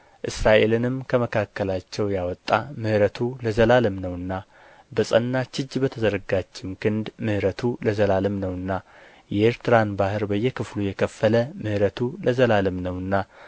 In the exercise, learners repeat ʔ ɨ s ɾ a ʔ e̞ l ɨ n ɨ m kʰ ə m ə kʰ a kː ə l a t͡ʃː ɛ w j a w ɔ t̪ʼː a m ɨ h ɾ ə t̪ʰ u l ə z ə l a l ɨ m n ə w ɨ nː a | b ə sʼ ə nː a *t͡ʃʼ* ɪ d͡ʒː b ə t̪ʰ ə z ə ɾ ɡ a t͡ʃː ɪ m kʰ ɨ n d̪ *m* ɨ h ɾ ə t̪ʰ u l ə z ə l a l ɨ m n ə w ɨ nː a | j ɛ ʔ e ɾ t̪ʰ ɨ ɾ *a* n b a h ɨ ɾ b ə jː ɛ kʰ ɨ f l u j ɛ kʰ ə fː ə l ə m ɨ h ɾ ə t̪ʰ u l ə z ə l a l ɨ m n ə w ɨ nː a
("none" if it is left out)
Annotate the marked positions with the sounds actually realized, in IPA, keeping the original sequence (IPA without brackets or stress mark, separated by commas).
t͡ʃ, m, a